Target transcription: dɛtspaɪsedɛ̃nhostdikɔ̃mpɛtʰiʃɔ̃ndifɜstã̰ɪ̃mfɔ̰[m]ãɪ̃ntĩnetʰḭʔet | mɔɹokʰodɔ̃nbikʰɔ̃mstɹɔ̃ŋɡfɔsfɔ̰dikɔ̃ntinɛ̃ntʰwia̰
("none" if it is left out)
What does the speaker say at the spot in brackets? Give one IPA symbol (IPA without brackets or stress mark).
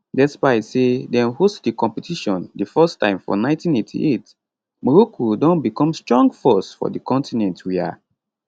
n